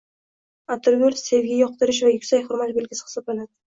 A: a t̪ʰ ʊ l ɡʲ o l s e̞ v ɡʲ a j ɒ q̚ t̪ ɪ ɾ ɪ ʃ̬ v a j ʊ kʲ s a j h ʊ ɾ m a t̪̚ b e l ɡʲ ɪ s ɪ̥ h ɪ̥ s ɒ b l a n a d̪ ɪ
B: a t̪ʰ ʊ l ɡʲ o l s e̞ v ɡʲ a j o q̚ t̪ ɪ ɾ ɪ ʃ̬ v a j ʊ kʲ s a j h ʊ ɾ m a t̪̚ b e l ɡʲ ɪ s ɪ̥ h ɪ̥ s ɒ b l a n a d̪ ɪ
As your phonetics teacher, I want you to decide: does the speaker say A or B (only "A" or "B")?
A